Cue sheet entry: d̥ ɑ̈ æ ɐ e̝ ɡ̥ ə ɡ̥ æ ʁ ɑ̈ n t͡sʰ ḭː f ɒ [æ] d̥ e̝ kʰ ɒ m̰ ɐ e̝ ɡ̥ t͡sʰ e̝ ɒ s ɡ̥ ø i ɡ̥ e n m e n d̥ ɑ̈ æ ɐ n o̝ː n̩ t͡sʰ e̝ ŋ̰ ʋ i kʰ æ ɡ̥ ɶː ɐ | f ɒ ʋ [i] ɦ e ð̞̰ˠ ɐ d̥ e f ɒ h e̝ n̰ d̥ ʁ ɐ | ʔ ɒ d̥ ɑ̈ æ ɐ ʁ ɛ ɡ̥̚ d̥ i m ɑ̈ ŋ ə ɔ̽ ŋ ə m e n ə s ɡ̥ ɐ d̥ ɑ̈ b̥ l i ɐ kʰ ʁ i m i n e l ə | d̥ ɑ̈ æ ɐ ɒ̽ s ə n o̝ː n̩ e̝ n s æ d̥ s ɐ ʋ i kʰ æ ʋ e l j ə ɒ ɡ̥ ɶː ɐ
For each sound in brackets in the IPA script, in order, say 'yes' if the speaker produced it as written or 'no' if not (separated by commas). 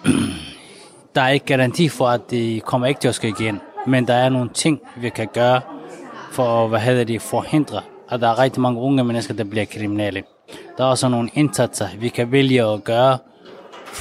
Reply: yes, no